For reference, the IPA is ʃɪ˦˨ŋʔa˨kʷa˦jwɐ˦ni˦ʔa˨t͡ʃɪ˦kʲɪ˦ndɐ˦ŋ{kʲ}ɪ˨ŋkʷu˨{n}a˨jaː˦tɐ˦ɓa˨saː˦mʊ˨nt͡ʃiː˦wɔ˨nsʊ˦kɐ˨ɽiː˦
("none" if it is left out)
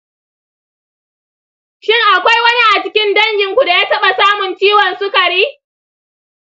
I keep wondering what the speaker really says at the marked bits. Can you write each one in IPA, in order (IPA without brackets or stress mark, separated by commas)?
ɡʲ, d